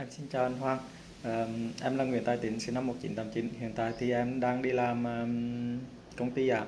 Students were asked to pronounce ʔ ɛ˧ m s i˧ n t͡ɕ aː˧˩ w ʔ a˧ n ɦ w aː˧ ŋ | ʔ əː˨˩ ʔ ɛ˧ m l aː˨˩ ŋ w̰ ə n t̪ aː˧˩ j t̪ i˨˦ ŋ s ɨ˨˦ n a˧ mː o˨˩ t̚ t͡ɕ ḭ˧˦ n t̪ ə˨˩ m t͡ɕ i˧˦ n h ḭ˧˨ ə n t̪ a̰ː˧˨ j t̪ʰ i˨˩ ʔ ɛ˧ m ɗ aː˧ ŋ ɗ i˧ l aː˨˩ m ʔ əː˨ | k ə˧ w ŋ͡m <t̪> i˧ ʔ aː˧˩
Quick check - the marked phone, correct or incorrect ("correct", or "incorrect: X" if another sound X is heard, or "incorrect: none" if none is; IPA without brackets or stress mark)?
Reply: correct